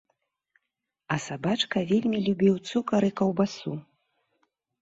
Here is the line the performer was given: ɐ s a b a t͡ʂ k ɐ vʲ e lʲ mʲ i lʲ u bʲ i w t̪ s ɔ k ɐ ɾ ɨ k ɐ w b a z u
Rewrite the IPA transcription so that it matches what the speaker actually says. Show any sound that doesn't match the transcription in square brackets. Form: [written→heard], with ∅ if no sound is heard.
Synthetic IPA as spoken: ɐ s a b a t͡ʂ k ɐ vʲ e lʲ mʲ i lʲ u bʲ i w t̪ s [ɔ→u] k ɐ ɾ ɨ k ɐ w b a [z→s] u

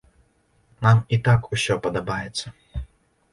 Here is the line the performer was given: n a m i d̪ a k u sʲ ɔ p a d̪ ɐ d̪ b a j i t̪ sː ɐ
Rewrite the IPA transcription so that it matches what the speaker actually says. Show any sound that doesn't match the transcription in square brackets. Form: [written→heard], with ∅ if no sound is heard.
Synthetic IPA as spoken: n a m i [d̪→t̪] a k u sʲ ɔ p [a→ɐ] d̪ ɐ [d̪→∅] b a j [i→ɛ] t̪ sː ɐ

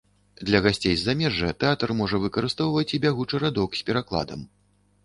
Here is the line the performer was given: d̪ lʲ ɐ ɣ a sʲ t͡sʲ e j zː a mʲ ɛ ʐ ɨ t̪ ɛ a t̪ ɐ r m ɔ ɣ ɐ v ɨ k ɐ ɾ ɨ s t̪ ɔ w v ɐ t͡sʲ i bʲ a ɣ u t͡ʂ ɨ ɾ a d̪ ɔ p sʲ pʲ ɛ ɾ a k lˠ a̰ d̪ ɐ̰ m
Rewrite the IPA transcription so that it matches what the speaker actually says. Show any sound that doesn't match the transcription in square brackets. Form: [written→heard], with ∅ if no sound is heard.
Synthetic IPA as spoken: d̪ lʲ ɐ ɣ a sʲ t͡sʲ e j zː a mʲ ɛ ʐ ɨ t̪ ɛ a t̪ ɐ r m ɔ [ɣ→ʐ] ɐ v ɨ k ɐ ɾ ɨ s t̪ ɔ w v ɐ t͡sʲ i bʲ a ɣ u t͡ʂ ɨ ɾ a d̪ ɔ [p→k] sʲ pʲ ɛ ɾ a k lˠ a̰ d̪ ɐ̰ m

